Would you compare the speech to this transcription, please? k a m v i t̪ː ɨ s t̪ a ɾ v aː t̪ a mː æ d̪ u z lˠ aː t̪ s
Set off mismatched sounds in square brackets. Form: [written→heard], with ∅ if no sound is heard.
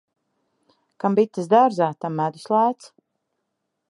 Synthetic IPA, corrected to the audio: k a m [v→b] i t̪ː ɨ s [t̪→d̪] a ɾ [v→z] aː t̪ a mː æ d̪ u [z→s] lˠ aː t̪ s

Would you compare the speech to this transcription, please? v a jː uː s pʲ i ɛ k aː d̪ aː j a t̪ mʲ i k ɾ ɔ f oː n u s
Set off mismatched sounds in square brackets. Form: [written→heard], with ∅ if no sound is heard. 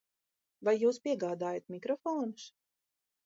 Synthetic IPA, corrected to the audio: v a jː uː s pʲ i ɛ [k→ɡ] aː d̪ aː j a t̪ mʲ i k ɾ ɔ f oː n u s

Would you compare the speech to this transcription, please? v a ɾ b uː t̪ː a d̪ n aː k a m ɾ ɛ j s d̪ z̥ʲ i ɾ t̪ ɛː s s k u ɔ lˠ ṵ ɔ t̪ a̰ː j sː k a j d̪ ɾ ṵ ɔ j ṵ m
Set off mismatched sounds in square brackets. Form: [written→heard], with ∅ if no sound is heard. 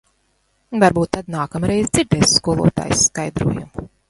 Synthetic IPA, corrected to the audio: v a ɾ b uː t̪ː a d̪ n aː k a m ɾ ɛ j [s→z] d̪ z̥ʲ i ɾ [t̪→d̪] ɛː s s k u ɔ lˠ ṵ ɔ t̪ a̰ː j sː k a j d̪ ɾ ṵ ɔ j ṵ m

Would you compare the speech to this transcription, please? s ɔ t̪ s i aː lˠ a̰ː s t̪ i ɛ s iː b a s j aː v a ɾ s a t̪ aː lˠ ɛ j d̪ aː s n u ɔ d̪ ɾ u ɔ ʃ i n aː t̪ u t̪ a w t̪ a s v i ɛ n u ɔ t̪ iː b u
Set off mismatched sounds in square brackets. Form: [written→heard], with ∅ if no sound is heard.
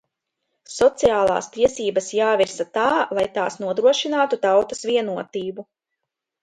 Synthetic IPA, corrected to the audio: s ɔ t̪ s i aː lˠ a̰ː s t̪ i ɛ s iː b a s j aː v [a→i] ɾ s a t̪ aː lˠ [ɛ→a] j [d̪→t̪] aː s n u ɔ d̪ ɾ u ɔ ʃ i n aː t̪ u t̪ a w t̪ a s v i ɛ n u ɔ t̪ iː b u

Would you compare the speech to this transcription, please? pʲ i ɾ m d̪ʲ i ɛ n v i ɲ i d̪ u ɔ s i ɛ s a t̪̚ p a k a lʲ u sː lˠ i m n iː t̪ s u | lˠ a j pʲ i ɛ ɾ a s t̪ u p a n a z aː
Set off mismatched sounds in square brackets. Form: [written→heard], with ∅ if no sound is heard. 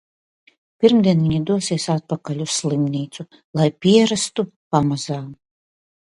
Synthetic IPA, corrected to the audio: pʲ i ɾ m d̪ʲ i ɛ n v i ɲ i d̪ u ɔ s i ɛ s a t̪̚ p a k a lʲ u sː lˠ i m n iː t̪ s u | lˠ a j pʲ i ɛ ɾ a s t̪ u p a [n→m] a z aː

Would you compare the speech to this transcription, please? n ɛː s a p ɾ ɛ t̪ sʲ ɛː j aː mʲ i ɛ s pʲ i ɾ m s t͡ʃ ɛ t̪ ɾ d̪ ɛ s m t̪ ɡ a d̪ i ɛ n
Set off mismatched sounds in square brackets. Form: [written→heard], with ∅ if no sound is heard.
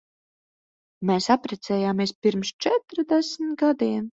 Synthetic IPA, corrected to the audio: [n→m] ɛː s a p ɾ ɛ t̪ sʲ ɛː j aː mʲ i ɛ s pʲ i ɾ m s t͡ʃ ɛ t̪ ɾ d̪ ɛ s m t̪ ɡ a d̪ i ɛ n

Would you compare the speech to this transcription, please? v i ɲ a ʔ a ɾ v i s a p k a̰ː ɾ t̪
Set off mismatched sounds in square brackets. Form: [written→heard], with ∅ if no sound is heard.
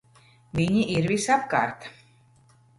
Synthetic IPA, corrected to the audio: v i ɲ [a→i] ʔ [a→i] ɾ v i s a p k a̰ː ɾ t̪

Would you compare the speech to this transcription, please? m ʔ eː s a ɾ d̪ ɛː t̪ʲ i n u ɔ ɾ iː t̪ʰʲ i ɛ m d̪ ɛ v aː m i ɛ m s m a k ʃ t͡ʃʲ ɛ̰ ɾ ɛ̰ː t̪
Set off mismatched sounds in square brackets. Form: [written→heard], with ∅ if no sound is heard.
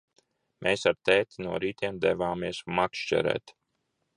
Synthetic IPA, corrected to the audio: m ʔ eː s a ɾ [d̪→t̪] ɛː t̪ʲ i n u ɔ ɾ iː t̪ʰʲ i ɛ m d̪ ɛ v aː m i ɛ [m→∅] s m a k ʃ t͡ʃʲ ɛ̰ ɾ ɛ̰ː t̪

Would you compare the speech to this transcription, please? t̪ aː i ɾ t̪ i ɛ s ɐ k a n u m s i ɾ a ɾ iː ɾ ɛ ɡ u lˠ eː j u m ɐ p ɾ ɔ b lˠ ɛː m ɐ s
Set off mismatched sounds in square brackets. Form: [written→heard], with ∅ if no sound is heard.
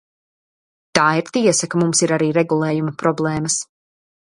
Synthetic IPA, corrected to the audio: t̪ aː i ɾ t̪ i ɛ s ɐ k a [n→m] u m s i ɾ a ɾ iː ɾ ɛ ɡ u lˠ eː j u m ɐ p ɾ ɔ b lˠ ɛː m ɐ s

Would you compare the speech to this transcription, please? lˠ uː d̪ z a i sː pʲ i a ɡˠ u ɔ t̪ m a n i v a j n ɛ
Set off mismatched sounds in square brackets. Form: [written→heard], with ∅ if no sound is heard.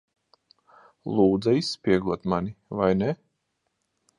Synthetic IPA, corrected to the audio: lˠ uː d̪ z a i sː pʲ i [a→ɛ] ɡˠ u ɔ t̪ m a n i v a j n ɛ

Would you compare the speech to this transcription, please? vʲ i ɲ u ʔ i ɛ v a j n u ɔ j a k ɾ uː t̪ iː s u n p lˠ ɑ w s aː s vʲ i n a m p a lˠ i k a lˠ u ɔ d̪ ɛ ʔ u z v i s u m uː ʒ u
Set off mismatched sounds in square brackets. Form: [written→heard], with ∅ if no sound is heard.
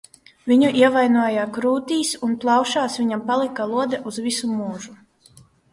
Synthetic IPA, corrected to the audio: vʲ i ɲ u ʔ i ɛ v a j n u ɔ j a k ɾ uː t̪ iː s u n p lˠ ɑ w [s→ʃ] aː s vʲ i [n→ɲ] a m p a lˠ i k a lˠ u ɔ d̪ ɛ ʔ u z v i s u m uː ʒ u

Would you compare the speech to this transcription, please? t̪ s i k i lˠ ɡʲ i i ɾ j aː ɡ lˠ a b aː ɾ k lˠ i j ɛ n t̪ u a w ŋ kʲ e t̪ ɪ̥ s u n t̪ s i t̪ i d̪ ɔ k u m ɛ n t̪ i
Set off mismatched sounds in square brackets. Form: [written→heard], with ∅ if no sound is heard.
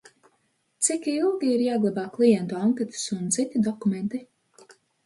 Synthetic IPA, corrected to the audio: t̪ s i k i lˠ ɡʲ i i ɾ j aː ɡ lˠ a b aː [ɾ→∅] k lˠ i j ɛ n t̪ u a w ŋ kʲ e t̪ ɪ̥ s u n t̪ s i t̪ i d̪ ɔ k u m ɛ n t̪ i

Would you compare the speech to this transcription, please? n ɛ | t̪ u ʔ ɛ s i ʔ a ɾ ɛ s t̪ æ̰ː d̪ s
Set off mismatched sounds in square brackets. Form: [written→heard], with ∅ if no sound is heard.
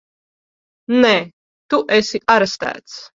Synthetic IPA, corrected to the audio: n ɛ | t̪ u ʔ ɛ s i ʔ a ɾ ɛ s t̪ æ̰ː [d̪→t̪] s

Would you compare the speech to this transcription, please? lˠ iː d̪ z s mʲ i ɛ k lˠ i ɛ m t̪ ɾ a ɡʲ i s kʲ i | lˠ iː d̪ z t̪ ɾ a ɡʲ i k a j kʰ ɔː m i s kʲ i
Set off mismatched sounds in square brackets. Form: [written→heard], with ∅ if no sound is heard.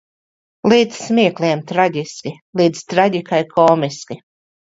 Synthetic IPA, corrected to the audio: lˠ iː d̪ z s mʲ i ɛ k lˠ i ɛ m t̪ ɾ a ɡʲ i s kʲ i | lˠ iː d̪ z t̪ ɾ a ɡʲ i k a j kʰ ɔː m i s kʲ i

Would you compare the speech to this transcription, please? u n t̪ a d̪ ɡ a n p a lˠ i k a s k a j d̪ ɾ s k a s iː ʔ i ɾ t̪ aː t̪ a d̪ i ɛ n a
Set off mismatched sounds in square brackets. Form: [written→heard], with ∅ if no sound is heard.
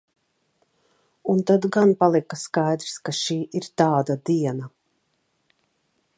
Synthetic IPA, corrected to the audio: u n t̪ a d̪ ɡ a n p a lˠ i k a s k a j d̪ ɾ s k a [s→ʃ] iː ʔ i ɾ t̪ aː [t̪→d̪] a d̪ i ɛ n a

